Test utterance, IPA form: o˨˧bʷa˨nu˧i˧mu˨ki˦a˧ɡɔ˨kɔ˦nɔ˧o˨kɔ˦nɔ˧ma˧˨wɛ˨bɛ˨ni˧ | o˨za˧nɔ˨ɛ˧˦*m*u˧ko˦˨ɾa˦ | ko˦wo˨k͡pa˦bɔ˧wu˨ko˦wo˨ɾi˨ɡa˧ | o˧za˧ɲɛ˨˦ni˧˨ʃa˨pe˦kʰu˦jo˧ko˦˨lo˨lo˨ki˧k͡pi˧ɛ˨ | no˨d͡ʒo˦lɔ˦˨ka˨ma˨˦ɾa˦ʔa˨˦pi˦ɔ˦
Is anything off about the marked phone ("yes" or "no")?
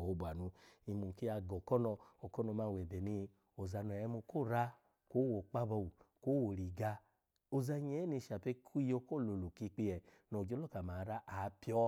no